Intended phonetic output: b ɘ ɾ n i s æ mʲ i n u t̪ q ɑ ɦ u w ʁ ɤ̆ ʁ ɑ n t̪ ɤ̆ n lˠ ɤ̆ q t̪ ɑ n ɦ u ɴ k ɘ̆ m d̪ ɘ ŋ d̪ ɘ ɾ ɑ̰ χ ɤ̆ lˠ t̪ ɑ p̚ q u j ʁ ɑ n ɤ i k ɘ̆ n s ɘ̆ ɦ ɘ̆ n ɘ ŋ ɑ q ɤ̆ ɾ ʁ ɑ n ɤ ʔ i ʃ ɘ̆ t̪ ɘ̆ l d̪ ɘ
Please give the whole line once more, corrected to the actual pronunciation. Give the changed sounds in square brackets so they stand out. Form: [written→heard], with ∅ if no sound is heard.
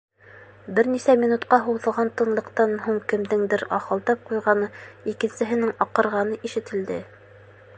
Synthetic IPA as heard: b ɘ ɾ n i s æ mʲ i n u t̪ q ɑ ɦ u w [ʁ→ð] ɤ̆ ʁ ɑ n t̪ ɤ̆ n lˠ ɤ̆ q t̪ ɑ n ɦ u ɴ k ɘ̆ m d̪ ɘ ŋ d̪ ɘ ɾ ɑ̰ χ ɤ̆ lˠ t̪ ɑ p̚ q u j ʁ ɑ n ɤ i k ɘ̆ n s ɘ̆ ɦ ɘ̆ n ɘ ŋ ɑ q ɤ̆ ɾ ʁ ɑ n ɤ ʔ i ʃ ɘ̆ t̪ ɘ̆ l d̪ ɘ